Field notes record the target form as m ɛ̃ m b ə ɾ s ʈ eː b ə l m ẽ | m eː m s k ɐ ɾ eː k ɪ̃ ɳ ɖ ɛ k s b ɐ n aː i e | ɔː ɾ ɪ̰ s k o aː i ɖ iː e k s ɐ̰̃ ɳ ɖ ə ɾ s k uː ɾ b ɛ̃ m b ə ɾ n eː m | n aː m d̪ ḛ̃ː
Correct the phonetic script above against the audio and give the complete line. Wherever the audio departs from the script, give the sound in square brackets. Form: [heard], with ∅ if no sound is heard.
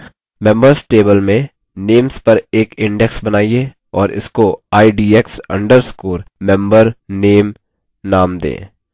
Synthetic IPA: m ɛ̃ m b ə ɾ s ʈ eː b ə l m ẽ | [n] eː m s [p] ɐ ɾ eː k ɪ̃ ɳ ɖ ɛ k s b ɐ n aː i e | ɔː ɾ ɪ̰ s k o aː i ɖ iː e k s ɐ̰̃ ɳ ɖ ə ɾ s k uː ɾ [m] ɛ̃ m b ə ɾ n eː m | n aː m d̪ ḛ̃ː

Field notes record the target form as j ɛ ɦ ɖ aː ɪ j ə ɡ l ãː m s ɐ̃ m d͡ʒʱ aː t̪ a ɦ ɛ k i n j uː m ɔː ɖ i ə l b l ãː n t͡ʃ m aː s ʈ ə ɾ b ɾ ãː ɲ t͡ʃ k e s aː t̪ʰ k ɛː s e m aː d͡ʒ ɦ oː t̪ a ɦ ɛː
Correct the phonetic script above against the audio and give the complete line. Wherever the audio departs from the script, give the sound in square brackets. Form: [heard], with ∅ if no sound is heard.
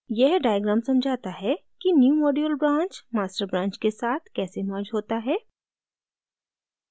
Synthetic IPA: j ɛ ɦ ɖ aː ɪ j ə ɡ [ɾ] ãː m s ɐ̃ m d͡ʒʱ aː t̪ a ɦ ɛ k i n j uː m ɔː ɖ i ə l b [ɾ] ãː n t͡ʃ m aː s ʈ ə ɾ b ɾ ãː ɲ t͡ʃ k e s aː t̪ʰ k ɛː s e m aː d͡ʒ ɦ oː t̪ a ɦ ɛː

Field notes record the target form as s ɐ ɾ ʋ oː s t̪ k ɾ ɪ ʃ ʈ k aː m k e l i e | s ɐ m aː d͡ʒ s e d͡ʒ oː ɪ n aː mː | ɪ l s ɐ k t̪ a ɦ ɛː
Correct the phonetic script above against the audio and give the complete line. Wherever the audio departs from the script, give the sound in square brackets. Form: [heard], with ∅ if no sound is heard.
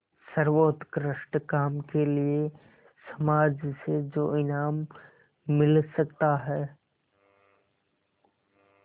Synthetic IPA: s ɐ ɾ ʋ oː [∅] t̪ k ɾ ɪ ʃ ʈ k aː m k e l i e | s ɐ m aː d͡ʒ s e d͡ʒ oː ɪ n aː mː | ɪ l s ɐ k t̪ a ɦ ɛː

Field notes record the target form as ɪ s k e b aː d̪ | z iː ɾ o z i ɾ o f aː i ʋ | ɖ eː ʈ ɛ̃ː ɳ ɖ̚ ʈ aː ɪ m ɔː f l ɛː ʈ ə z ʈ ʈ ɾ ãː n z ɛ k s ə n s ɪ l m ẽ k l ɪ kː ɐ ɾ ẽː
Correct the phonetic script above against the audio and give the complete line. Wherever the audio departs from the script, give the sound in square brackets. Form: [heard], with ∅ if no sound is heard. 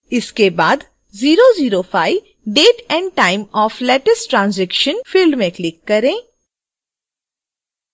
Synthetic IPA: ɪ s k e b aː d̪ | z iː ɾ o z [iː] ɾ o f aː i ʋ | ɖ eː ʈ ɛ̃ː ɳ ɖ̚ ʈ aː ɪ m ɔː f l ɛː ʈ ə [s] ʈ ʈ ɾ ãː n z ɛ k [ʃ] ə n [f] ɪ l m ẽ k l ɪ kː ɐ ɾ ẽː

